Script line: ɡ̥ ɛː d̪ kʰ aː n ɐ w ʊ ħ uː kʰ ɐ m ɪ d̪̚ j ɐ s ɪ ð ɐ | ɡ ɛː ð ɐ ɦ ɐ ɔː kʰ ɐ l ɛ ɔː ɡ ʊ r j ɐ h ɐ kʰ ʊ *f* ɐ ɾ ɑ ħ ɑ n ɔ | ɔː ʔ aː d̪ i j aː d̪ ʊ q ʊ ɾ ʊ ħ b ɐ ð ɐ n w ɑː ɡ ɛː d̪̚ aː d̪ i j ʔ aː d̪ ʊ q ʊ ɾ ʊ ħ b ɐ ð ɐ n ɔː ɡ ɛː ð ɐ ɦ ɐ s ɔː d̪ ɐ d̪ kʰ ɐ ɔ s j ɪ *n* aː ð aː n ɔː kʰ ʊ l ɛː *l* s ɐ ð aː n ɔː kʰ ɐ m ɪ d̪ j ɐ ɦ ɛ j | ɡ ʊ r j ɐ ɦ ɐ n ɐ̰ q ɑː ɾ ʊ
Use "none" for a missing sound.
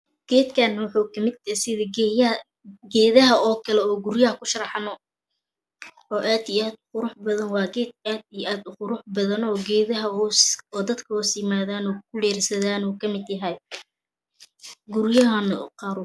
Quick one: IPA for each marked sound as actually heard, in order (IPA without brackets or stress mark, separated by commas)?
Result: ʃ, m, r